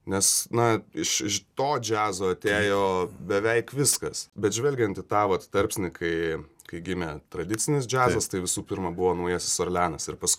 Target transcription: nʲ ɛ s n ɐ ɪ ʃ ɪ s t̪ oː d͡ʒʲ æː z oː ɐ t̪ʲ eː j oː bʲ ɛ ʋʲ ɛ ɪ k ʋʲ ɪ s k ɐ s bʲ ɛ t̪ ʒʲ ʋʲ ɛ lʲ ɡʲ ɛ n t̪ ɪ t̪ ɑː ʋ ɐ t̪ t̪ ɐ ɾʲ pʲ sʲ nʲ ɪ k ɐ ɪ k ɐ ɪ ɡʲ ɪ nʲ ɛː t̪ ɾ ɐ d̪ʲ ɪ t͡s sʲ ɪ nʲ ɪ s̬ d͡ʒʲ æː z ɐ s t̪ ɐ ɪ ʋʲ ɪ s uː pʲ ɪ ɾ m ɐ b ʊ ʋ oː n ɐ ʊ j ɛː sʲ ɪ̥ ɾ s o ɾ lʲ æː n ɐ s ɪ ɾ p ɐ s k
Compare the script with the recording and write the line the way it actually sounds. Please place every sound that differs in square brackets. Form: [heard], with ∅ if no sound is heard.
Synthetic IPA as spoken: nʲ ɛ s n ɐ ɪ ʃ ɪ [ʃ] t̪ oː d͡ʒʲ æː z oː ɐ t̪ʲ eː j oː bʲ ɛ ʋʲ ɛ ɪ k ʋʲ ɪ s k ɐ s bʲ ɛ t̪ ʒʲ ʋʲ ɛ lʲ ɡʲ ɛ n t̪ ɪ t̪ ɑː ʋ ɐ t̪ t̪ ɐ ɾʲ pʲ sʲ nʲ ɪ k ɐ ɪ k ɐ ɪ ɡʲ ɪ [mʲ] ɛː t̪ ɾ ɐ d̪ʲ ɪ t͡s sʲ ɪ nʲ ɪ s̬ d͡ʒʲ æː z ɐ s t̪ ɐ ɪ ʋʲ ɪ s uː pʲ ɪ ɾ m ɐ b ʊ ʋ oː n ɐ ʊ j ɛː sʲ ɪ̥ [∅] s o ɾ lʲ æː n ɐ s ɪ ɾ p ɐ s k